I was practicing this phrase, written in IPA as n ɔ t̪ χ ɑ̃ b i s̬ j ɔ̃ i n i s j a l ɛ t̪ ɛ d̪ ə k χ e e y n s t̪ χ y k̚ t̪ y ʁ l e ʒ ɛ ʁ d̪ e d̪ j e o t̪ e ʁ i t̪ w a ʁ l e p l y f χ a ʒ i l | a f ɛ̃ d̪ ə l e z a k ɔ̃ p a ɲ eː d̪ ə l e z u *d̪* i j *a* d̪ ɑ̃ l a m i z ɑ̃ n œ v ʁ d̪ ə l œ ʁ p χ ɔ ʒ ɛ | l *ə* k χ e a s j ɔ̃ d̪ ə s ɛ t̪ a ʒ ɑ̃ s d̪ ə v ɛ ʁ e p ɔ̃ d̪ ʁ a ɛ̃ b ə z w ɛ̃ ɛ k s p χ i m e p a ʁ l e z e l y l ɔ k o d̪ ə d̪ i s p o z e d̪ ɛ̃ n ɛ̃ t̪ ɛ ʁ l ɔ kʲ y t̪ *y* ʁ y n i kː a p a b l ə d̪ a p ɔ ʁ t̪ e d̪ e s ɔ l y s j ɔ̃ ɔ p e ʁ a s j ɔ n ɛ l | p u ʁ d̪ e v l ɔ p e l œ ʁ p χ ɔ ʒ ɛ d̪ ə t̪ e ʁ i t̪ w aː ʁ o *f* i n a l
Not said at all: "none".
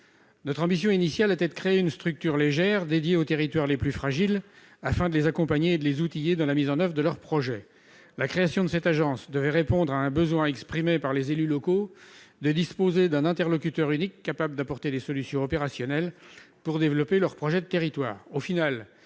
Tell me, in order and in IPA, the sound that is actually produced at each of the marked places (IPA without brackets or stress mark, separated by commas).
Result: t̪, e, a, œ, f